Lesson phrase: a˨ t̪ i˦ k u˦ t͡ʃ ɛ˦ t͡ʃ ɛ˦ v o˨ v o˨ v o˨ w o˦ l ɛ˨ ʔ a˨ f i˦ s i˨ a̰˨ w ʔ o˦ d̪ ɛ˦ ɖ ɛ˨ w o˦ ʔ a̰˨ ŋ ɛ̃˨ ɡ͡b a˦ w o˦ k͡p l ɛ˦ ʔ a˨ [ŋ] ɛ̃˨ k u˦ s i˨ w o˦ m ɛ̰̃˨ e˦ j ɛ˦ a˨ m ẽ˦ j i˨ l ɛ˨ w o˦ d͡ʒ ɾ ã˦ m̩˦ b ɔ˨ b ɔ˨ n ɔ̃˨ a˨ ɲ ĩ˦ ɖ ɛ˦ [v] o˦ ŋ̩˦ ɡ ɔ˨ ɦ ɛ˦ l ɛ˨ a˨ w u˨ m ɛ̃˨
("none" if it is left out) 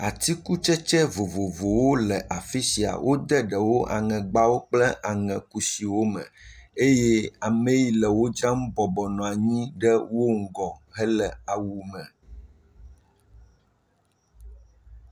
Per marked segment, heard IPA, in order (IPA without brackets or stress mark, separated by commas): ŋ, w